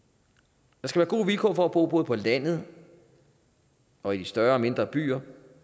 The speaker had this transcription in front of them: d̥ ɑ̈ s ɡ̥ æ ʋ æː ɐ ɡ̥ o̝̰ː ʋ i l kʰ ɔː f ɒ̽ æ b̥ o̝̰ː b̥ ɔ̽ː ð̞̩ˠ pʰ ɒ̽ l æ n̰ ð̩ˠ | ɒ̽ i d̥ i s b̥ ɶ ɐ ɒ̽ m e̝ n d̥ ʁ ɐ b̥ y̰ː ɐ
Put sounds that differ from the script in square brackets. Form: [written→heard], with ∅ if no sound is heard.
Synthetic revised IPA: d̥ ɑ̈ s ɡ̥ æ ʋ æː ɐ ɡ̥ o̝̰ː ʋ i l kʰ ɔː f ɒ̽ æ b̥ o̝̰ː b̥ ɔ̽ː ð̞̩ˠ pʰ ɒ̽ l æ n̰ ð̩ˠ | ɒ̽ i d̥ i s [b̥→d̥] ɶ ɐ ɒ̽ m e̝ n d̥ ʁ ɐ b̥ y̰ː ɐ